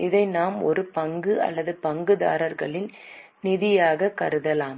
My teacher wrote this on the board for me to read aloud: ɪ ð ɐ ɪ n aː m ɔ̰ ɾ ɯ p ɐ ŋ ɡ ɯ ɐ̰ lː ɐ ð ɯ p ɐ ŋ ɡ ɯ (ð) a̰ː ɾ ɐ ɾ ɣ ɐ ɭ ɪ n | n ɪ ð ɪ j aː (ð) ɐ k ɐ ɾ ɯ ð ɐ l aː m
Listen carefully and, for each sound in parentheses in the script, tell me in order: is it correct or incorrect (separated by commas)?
correct, incorrect